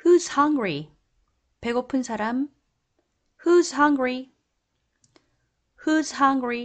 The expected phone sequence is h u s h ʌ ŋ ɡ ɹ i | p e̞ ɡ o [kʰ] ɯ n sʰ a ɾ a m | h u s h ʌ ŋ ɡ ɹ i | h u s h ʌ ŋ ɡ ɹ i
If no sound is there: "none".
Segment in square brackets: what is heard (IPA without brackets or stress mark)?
pʰ